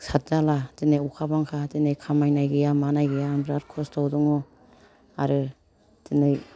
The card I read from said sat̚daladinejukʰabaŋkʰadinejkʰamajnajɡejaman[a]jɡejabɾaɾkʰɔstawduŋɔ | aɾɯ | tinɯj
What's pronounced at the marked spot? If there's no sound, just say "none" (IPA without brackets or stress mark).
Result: a